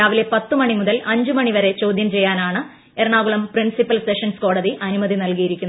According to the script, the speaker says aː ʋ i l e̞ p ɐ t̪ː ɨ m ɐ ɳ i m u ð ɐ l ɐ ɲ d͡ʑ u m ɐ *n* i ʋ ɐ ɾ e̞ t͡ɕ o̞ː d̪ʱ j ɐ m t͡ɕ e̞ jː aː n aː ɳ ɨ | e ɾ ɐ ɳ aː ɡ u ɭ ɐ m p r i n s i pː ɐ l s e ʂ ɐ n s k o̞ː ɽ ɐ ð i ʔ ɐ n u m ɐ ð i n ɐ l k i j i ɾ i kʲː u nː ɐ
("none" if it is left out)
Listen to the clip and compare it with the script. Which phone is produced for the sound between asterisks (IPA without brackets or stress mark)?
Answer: ɳ